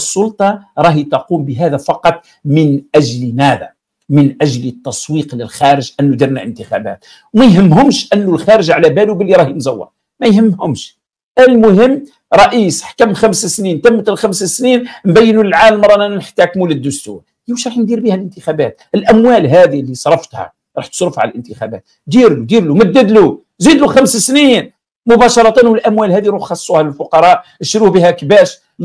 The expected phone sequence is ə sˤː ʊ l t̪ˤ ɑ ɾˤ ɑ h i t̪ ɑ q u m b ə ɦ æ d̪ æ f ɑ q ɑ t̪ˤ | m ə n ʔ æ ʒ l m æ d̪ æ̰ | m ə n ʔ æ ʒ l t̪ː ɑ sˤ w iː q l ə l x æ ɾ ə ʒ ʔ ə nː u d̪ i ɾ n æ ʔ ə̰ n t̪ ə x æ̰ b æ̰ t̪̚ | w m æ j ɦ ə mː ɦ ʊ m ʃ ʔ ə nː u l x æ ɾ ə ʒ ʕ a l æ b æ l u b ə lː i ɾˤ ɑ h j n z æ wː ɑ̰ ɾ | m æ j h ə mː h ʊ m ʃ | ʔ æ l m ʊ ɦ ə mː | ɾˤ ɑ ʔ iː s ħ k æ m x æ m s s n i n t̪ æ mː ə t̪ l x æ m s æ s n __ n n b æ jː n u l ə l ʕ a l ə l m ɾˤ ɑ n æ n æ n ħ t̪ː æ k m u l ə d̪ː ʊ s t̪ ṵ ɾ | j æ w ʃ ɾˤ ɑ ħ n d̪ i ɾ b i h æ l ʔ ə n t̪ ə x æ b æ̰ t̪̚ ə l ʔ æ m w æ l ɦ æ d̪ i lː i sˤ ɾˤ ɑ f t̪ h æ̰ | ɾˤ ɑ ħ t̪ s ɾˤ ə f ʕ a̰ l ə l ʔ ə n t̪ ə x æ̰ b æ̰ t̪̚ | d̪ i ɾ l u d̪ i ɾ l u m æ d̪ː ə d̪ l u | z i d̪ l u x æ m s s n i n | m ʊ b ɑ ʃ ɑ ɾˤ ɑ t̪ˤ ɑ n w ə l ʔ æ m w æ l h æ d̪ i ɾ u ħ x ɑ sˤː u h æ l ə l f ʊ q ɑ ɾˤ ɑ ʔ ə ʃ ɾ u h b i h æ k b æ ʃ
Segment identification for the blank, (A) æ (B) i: B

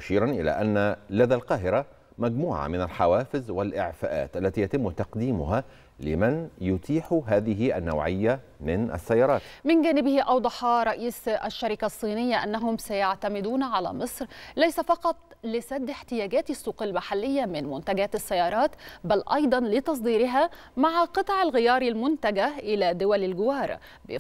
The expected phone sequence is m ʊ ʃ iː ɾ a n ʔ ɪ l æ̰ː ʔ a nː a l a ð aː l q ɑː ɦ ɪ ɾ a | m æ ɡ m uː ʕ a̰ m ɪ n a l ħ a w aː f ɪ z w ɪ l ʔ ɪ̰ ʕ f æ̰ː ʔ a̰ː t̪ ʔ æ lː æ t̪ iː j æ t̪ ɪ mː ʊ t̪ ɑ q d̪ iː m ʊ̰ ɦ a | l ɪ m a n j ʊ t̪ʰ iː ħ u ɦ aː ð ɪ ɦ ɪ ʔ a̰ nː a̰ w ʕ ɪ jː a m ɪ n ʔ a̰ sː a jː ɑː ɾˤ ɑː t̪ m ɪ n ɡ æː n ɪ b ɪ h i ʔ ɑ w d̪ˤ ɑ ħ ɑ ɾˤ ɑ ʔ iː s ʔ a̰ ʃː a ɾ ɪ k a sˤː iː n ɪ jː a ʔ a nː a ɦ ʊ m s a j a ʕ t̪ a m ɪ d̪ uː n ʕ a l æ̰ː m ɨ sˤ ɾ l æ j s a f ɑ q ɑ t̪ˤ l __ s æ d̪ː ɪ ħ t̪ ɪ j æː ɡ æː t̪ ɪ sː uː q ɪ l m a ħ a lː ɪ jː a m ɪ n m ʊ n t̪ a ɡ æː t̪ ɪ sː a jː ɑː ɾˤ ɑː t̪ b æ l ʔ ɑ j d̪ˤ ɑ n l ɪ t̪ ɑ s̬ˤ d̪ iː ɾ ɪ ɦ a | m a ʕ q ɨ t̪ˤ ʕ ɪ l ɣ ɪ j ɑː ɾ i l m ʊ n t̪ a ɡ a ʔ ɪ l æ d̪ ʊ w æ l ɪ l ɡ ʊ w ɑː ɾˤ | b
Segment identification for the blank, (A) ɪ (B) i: A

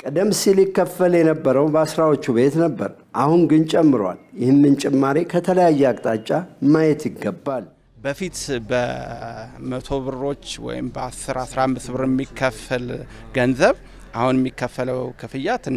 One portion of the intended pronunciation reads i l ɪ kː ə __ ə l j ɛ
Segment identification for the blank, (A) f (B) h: A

